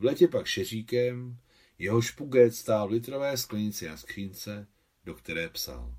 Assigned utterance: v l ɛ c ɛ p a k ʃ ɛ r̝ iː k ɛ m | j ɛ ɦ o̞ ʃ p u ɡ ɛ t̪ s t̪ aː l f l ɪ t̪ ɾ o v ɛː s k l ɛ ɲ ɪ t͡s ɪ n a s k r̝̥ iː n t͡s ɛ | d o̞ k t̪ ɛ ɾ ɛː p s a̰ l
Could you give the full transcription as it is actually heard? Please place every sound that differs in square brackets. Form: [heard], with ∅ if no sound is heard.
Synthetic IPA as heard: v l ɛ c ɛ p a k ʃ ɛ r̝ iː k ɛ m | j ɛ ɦ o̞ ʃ p u ɡ ɛ t̪ s t̪ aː l [v] l ɪ t̪ ɾ o v ɛː s k l ɛ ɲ ɪ t͡s ɪ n a s k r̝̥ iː n t͡s ɛ | d o̞ k t̪ ɛ ɾ ɛː p s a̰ l